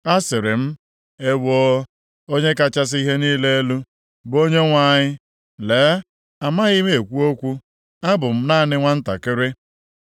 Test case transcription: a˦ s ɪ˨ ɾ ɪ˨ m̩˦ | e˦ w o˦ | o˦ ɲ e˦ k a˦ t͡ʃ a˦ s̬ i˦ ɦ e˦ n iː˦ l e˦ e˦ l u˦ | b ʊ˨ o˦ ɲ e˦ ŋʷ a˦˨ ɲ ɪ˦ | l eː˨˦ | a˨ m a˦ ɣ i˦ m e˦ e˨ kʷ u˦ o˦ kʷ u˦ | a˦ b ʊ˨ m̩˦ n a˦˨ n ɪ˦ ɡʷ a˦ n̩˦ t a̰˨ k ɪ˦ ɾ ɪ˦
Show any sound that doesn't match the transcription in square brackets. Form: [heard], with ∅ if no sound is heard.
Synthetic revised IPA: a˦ s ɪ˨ ɾ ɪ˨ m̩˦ | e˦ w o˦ | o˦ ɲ e˦ k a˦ t͡ʃ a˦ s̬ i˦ ɦ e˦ n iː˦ l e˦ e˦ l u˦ | b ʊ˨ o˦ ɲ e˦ ŋʷ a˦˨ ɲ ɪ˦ | l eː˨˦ | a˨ m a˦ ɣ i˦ m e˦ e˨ kʷ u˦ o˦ kʷ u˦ | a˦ b ʊ˨ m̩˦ n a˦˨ n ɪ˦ [ŋʷ] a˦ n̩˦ t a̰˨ k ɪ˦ ɾ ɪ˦

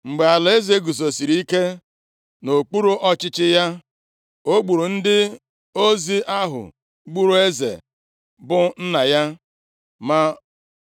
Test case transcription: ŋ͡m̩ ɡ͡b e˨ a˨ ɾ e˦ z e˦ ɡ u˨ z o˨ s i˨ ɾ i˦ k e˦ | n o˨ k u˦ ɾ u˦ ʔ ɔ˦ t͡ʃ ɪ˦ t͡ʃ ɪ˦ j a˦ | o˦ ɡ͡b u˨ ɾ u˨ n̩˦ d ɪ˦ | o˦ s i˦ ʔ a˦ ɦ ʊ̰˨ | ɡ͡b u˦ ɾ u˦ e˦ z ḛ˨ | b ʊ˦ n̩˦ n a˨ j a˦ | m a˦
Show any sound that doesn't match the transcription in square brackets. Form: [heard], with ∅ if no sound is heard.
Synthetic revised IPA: ŋ͡m̩ ɡ͡b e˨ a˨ [l] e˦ z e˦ ɡ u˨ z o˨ s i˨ ɾ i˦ k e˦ | n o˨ [k͡p] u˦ ɾ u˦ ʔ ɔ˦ t͡ʃ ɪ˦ t͡ʃ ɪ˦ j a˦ | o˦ ɡ͡b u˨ ɾ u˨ n̩˦ d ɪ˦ | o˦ [z] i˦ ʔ a˦ ɦ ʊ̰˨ | ɡ͡b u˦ ɾ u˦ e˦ z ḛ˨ | b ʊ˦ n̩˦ n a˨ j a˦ | m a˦

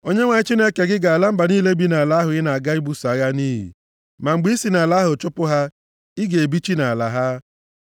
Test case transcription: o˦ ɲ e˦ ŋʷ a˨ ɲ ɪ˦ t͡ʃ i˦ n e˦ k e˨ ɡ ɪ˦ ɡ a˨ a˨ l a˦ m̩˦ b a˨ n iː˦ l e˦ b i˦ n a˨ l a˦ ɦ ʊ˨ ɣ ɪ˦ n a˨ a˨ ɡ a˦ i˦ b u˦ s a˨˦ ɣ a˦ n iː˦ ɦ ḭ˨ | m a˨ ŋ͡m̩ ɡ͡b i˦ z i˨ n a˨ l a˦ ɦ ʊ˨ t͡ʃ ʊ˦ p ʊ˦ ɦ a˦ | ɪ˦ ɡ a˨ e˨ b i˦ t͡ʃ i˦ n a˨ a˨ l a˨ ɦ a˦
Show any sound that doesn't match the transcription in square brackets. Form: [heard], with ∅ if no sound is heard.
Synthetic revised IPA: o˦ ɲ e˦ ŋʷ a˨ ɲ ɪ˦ t͡ʃ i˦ n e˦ k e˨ ɡ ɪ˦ ɡ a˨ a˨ l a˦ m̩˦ b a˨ n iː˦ l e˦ b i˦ n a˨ l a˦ ɦ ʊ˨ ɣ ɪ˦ n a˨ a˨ ɡ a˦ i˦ b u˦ s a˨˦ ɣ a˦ n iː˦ ɦ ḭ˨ | m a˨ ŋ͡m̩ ɡ͡b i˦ [s] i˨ n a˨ l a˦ ɦ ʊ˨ t͡ʃ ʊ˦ p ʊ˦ ɦ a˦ | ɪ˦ ɡ [e˨] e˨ b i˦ t͡ʃ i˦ n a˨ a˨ l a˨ ɦ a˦

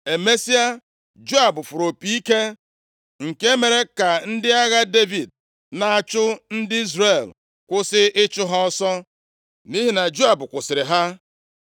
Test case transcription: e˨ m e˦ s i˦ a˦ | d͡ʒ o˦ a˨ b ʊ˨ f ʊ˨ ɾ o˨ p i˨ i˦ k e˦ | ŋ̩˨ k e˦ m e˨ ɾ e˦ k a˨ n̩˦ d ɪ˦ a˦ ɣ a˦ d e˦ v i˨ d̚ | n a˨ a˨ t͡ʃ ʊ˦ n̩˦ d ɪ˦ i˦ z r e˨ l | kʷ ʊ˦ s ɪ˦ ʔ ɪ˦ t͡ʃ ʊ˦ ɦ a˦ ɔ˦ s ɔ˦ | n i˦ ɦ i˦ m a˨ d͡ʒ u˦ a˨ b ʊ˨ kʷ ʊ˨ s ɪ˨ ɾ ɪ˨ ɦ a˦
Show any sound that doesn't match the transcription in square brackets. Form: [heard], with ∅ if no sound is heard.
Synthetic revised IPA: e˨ m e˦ s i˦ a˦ | d͡ʒ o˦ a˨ b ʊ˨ f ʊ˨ ɾ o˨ p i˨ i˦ k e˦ | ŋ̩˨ k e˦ m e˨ ɾ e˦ k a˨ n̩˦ d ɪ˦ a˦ ɣ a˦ d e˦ v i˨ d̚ | n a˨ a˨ t͡ʃ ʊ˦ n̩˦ d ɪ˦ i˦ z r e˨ l | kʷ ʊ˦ s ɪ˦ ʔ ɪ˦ t͡ʃ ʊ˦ ɦ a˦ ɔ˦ s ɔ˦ | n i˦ ɦ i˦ [n] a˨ d͡ʒ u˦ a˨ b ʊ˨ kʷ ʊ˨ s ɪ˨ ɾ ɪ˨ ɦ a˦

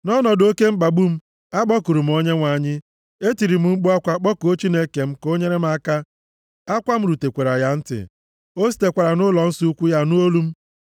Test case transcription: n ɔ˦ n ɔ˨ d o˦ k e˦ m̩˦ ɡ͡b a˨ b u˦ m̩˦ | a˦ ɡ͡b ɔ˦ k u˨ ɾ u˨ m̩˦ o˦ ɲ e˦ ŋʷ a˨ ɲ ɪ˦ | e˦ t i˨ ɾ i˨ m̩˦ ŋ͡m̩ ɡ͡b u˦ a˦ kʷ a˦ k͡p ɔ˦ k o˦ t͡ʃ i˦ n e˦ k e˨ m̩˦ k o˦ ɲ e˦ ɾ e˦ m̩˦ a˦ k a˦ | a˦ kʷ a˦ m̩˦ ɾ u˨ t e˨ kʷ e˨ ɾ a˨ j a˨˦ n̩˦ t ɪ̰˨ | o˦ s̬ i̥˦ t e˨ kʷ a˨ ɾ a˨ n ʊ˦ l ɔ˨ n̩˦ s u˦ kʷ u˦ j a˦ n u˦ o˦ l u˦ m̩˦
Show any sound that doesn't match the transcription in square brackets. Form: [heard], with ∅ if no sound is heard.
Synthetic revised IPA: n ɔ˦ n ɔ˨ d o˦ k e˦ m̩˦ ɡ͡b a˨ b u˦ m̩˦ | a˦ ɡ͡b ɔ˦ k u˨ ɾ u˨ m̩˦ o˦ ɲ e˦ ŋʷ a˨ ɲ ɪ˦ | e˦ t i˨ ɾ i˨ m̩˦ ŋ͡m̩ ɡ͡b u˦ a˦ kʷ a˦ k͡p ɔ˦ k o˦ t͡ʃ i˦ n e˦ k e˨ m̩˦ k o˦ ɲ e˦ ɾ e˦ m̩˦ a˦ k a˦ | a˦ kʷ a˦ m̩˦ ɾ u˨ t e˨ kʷ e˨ ɾ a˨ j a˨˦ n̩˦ t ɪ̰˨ | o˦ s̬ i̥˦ t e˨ kʷ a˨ ɾ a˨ n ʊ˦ l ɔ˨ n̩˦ s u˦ kʷ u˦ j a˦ n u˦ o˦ l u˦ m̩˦

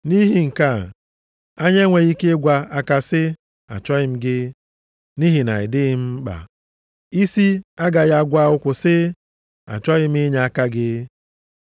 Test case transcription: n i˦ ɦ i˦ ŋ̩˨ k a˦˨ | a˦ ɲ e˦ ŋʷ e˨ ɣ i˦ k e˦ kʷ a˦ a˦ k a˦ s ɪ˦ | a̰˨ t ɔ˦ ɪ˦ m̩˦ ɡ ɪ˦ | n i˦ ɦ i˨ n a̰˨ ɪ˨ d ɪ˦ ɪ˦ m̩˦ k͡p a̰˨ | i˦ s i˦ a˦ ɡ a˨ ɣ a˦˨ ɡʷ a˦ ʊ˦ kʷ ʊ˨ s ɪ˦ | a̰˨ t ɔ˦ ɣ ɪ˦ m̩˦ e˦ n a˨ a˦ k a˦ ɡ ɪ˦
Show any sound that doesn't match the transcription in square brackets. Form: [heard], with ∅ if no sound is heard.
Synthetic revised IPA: n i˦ ɦ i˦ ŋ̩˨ k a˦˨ | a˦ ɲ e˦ ŋʷ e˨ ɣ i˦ k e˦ [ɡʷ] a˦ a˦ k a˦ s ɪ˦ | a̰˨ [t͡ʃ] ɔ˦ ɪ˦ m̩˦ ɡ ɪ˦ | n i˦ ɦ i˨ n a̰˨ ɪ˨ d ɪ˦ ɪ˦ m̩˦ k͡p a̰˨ | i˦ s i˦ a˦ ɡ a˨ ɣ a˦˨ ɡʷ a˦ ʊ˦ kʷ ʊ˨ s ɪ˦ | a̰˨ [t͡ʃ] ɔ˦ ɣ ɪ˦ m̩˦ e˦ [ɲ] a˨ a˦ k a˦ ɡ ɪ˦

